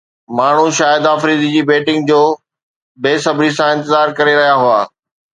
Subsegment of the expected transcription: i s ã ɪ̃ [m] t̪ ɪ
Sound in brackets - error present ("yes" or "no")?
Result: yes